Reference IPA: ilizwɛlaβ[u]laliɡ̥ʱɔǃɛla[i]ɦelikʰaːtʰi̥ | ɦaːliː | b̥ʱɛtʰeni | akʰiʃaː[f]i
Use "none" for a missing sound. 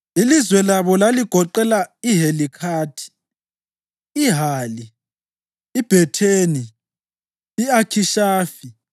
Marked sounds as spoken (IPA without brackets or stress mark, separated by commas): ɔ, i, f